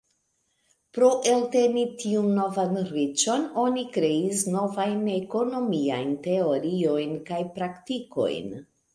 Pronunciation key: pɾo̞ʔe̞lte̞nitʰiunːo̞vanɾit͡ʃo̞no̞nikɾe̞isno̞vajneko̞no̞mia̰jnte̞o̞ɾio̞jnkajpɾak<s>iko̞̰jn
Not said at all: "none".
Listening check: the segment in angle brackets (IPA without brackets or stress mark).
t